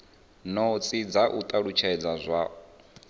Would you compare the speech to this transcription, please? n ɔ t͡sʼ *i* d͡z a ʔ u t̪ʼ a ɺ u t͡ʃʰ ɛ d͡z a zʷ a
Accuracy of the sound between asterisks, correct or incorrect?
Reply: correct